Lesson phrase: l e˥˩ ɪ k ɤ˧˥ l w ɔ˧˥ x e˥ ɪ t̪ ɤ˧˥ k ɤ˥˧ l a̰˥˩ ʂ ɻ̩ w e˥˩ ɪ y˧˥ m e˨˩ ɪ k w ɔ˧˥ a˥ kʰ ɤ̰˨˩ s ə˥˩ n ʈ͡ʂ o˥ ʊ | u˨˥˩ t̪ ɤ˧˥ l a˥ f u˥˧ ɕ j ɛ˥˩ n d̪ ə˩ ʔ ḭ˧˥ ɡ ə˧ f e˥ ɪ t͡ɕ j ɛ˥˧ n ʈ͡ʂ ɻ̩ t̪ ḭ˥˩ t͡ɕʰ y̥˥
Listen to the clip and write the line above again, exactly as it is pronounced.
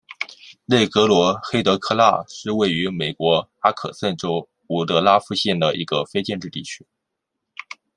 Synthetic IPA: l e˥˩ ɪ k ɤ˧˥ l w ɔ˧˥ x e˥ ɪ t̪ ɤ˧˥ kʰ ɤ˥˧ l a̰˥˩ ʂ ɻ̩ w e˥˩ ɪ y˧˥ m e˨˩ ɪ k w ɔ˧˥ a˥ kʰ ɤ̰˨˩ s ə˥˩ n ʈ͡ʂ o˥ ʊ | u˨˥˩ t̪ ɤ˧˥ l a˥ f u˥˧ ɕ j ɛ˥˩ n d̪ ə˩ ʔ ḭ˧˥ ɡ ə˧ f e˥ ɪ t͡ɕ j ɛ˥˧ n ʈ͡ʂ ɻ̩ t̪ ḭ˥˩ t͡ɕʰ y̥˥